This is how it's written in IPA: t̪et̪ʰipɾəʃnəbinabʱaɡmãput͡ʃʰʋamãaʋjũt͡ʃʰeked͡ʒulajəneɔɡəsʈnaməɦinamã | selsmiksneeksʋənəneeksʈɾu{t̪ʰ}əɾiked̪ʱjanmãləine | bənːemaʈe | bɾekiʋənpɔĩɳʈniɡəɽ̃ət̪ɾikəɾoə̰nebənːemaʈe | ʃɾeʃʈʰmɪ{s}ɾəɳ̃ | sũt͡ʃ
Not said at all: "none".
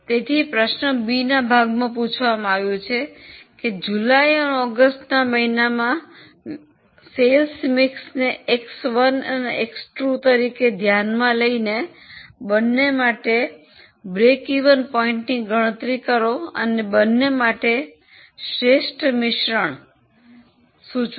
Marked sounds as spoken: t̪, ʃ

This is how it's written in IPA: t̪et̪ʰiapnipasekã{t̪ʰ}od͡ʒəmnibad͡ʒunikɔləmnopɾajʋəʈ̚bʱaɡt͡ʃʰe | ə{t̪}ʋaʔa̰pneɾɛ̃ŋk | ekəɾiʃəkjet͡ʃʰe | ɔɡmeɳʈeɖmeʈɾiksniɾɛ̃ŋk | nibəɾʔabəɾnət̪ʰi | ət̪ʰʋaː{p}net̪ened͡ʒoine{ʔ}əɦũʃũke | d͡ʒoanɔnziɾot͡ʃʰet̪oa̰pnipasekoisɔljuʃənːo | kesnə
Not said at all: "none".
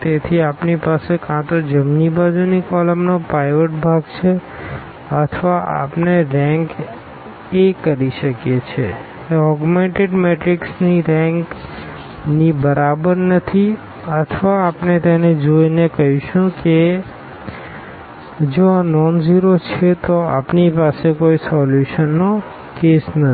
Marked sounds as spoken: t̪, t̪ʰ, p, k

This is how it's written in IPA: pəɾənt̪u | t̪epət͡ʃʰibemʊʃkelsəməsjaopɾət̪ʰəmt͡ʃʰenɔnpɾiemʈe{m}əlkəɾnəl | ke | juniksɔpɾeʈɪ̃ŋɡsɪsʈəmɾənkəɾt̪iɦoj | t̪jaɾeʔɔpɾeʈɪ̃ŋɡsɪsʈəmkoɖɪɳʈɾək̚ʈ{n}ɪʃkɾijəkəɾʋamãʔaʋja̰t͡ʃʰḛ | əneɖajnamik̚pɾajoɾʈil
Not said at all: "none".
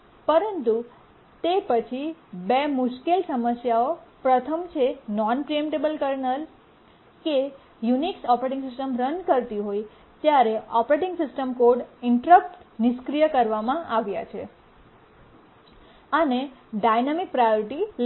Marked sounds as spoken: b, n

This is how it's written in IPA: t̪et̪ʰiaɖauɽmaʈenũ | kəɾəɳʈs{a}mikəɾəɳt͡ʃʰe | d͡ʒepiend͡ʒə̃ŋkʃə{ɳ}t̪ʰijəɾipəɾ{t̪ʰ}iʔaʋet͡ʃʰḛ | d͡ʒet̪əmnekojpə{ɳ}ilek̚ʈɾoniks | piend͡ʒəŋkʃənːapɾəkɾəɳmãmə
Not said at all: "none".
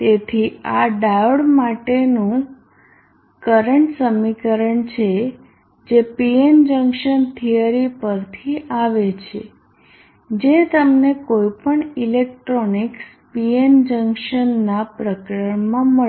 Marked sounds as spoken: ə, n, t̪ʰ, ɳ

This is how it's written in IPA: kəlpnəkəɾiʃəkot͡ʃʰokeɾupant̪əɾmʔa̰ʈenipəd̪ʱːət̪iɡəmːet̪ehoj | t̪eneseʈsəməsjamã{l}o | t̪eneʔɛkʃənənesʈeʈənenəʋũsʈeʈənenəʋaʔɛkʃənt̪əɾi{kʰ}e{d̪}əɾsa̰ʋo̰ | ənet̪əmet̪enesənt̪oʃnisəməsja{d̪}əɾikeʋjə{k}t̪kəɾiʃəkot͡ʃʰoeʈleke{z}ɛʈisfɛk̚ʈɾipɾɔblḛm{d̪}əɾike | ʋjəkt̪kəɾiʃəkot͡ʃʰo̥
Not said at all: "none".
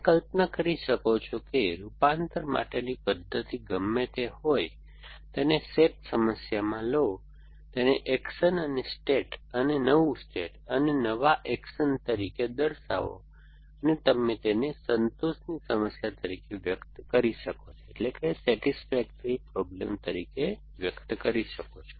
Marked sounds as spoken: l, k, d̪, t̪, k, s, t̪

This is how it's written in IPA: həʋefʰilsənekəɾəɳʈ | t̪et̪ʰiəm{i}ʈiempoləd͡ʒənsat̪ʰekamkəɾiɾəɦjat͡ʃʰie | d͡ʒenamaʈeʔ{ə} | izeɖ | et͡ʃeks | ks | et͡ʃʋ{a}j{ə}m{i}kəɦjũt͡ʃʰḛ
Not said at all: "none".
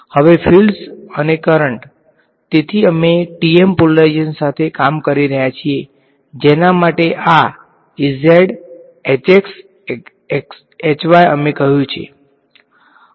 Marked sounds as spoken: e, a, a, ə, e

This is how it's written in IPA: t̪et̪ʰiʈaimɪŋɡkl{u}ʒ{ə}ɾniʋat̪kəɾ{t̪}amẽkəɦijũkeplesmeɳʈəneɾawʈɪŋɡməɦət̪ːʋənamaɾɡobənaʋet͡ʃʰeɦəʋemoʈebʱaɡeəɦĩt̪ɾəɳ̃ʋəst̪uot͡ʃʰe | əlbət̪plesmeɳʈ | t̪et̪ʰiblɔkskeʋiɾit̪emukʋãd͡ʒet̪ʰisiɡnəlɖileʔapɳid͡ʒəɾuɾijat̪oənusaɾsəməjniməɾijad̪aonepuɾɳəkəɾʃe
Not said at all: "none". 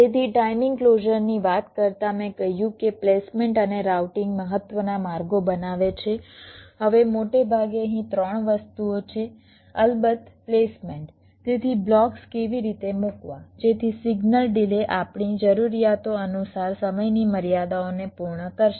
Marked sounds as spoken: o, ə, t̪

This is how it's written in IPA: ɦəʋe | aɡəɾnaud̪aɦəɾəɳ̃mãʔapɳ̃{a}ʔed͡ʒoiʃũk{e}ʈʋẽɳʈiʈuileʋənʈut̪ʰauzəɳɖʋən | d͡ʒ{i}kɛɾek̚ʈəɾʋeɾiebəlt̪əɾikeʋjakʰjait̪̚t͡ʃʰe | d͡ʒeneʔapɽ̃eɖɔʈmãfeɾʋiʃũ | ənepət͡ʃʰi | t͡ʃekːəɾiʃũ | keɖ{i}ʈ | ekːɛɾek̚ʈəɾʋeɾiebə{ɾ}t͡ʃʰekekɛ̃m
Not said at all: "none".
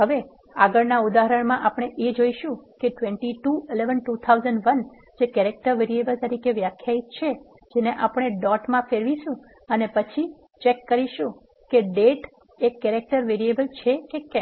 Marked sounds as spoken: e, e, e, e, l

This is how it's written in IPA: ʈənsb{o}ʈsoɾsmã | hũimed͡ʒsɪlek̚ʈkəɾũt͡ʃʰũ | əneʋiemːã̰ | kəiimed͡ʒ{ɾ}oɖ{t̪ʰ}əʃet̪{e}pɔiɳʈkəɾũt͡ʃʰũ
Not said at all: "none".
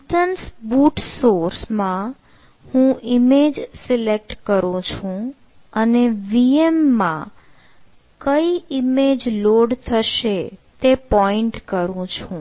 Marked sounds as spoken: u, l, t̪ʰ, e

